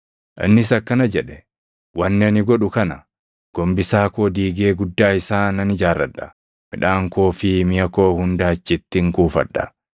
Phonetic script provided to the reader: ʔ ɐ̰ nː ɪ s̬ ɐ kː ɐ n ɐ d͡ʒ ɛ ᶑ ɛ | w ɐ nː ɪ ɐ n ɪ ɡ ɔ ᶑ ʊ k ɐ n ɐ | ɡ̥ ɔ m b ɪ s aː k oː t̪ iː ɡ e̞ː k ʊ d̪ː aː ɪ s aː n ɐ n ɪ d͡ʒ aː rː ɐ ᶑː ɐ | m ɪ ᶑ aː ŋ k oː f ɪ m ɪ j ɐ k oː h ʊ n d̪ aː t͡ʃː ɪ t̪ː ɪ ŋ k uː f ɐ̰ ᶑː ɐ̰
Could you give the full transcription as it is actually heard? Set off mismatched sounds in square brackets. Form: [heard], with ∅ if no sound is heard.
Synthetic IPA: ʔ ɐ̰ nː ɪ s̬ ɐ kː ɐ n ɐ d͡ʒ ɛ ᶑ ɛ | w ɐ nː ɪ ɐ n ɪ ɡ ɔ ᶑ ʊ k ɐ n ɐ | ɡ̥ ɔ m b ɪ s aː k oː [d̪] iː ɡ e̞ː [ɡ] ʊ d̪ː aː ɪ s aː n ɐ n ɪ d͡ʒ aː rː ɐ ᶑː ɐ | m ɪ ᶑ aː ŋ k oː f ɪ m ɪ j ɐ k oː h ʊ n d̪ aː t͡ʃː ɪ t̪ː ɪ ŋ k uː f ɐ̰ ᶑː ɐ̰

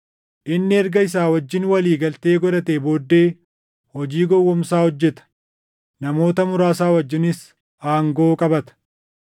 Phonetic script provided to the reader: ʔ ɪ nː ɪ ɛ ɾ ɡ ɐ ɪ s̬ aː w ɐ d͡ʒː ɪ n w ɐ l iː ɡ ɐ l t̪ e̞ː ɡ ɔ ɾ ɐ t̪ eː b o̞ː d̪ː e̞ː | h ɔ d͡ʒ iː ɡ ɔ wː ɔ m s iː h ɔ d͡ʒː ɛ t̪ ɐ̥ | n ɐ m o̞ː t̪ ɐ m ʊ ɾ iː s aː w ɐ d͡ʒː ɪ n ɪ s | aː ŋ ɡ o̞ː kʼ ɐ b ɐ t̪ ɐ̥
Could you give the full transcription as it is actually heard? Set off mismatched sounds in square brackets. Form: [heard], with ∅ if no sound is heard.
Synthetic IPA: ʔ ɪ nː ɪ ɛ ɾ ɡ ɐ ɪ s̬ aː w ɐ d͡ʒː ɪ n w ɐ l iː ɡ ɐ l t̪ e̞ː ɡ ɔ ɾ ɐ t̪ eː b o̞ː d̪ː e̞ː | h ɔ d͡ʒ iː ɡ ɔ wː ɔ m s [aː] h ɔ d͡ʒː ɛ t̪ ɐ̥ | n ɐ m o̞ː t̪ ɐ m ʊ ɾ [aː] s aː w ɐ d͡ʒː ɪ n ɪ s | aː ŋ ɡ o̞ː kʼ ɐ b ɐ t̪ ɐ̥

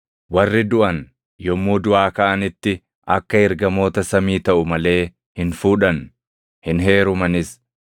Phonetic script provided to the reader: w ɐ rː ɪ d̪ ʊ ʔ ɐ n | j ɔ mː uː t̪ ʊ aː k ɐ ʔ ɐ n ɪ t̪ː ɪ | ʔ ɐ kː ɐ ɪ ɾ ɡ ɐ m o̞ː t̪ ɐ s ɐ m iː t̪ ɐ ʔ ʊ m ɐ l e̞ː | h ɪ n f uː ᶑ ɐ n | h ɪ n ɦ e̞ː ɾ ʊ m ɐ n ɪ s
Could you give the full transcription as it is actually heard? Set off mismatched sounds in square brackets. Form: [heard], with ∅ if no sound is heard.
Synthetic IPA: w ɐ rː ɪ d̪ ʊ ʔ ɐ n | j ɔ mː uː [d̪] ʊ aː k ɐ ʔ ɐ n ɪ t̪ː ɪ | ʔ ɐ kː ɐ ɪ ɾ ɡ ɐ m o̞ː t̪ ɐ s ɐ m iː t̪ ɐ ʔ ʊ m ɐ l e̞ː | h ɪ n f uː ᶑ ɐ n | h ɪ n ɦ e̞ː ɾ ʊ m ɐ n ɪ s

